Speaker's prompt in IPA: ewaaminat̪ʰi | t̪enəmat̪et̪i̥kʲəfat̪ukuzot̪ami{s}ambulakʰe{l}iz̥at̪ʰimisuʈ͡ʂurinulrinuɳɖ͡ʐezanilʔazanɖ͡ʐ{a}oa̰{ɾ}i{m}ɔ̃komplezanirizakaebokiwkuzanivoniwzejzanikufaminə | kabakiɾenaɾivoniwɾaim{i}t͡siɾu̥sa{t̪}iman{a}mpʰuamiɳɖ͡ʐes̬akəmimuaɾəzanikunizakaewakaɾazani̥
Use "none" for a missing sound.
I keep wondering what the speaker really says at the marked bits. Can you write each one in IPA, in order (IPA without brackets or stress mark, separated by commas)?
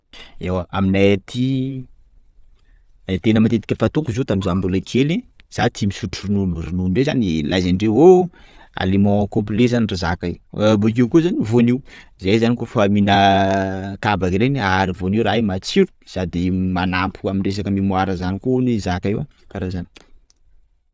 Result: z, l, e, l, m, a, d̪, a